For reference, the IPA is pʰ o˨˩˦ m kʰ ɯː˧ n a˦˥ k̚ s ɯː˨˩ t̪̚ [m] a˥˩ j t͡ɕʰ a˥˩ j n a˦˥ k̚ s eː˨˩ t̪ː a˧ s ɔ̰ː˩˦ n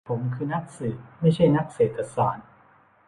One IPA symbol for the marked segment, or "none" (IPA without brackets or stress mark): m